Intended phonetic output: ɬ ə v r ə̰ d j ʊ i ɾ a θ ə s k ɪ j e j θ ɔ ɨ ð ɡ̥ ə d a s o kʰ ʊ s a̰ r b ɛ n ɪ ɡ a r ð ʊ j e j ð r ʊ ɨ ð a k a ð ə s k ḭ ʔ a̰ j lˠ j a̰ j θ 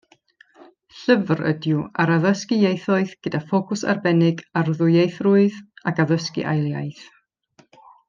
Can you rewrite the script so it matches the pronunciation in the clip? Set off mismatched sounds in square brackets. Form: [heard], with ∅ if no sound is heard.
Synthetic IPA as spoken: ɬ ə v r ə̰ d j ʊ [a] ɾ a [ð] ə s k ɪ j e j θ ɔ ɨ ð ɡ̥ ə d a [f] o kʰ ʊ s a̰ r b ɛ n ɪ ɡ a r ð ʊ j e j [θ] r ʊ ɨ ð a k a ð ə s k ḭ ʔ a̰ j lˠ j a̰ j θ